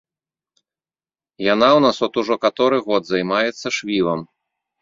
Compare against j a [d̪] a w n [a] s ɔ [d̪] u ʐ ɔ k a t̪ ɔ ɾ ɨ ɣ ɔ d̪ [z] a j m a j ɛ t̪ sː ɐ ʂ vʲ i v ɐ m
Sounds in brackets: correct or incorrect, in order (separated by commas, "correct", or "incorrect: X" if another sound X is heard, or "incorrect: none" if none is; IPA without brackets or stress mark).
incorrect: n̪, correct, incorrect: t̪, correct